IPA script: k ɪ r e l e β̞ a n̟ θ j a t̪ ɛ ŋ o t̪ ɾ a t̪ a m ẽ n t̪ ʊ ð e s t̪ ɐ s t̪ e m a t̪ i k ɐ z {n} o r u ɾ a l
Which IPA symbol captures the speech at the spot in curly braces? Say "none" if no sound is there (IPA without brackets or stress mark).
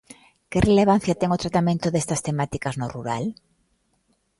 n